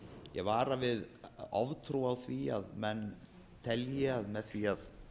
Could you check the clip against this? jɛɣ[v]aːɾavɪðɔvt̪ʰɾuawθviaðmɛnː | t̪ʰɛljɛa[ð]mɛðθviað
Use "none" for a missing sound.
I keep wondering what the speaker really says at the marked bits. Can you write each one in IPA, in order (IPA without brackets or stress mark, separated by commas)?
v, ð